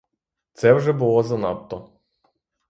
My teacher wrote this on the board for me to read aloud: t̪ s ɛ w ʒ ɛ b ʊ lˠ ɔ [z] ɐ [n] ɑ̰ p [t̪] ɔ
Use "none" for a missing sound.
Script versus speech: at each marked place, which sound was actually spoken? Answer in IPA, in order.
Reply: z, n, t̪

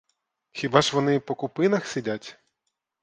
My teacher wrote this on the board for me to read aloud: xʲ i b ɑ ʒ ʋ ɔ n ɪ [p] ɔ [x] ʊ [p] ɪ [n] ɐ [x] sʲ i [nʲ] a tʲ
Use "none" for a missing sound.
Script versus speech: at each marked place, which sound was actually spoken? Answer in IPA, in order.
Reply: p, k, p, n, x, dʲ

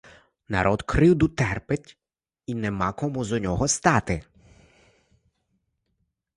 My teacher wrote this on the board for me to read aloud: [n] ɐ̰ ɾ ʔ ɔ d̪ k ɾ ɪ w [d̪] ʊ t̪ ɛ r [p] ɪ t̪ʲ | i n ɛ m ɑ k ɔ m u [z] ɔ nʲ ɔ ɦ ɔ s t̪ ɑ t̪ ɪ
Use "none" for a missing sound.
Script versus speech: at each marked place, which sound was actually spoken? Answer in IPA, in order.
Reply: n, d̪, p, z

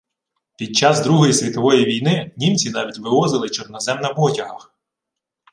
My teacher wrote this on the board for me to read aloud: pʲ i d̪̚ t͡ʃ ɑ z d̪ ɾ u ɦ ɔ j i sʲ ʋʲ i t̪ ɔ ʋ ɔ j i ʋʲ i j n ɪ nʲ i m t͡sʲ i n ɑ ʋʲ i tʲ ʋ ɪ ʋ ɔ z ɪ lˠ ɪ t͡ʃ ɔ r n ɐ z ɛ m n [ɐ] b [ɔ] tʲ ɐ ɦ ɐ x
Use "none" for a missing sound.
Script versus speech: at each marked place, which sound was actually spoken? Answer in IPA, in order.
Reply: ɐ, ɔ

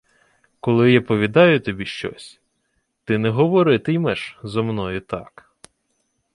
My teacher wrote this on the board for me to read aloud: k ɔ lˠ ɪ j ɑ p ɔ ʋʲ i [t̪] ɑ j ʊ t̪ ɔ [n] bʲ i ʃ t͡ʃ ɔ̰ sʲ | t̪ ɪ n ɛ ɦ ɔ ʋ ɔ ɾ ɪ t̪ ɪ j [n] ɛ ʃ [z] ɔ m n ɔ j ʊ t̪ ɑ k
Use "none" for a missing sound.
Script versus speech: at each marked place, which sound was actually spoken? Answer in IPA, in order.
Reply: d̪, none, m, z

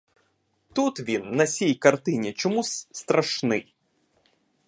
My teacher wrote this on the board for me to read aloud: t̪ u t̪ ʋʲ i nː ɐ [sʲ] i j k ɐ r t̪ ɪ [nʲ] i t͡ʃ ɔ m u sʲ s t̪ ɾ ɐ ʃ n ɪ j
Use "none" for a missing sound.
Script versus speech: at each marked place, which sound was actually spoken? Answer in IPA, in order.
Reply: sʲ, nʲ

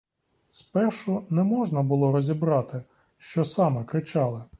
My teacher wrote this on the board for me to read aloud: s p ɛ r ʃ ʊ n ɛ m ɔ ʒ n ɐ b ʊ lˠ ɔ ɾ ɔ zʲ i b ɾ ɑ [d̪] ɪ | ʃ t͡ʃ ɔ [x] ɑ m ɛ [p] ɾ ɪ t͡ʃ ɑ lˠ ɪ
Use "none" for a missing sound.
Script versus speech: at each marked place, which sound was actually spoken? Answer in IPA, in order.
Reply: t̪, s, k

